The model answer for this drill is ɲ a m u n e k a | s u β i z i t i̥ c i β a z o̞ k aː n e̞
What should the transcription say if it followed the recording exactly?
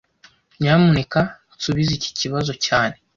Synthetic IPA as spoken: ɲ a m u n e k a | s u β i z i c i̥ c i β a z o̞ c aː n e̞